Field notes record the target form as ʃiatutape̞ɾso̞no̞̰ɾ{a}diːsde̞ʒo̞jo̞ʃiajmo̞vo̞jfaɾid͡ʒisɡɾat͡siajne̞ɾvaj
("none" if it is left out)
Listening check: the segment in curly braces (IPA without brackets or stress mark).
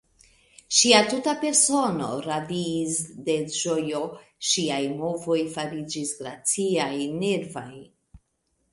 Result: a